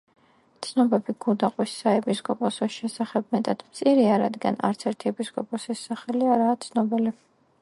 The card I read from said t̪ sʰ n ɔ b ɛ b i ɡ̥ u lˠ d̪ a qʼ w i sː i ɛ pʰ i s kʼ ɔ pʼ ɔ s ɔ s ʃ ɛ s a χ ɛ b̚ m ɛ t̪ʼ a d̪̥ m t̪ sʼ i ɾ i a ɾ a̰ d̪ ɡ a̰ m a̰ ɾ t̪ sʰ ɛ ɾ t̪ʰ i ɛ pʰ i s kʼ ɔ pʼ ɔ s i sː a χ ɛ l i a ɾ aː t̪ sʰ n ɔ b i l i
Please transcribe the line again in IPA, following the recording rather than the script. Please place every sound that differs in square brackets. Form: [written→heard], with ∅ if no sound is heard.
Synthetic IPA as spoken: t̪ sʰ n ɔ b ɛ b i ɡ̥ u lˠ d̪ a qʼ w i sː [i→a] ɛ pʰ i s kʼ ɔ pʼ ɔ s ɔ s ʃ ɛ s a χ ɛ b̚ m ɛ t̪ʼ a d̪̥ m t̪ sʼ i ɾ i a ɾ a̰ d̪ ɡ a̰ [m→n] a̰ ɾ t̪ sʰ ɛ ɾ t̪ʰ i ɛ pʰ i s kʼ ɔ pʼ ɔ s i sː a χ ɛ l i a ɾ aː t̪ sʰ n ɔ b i l i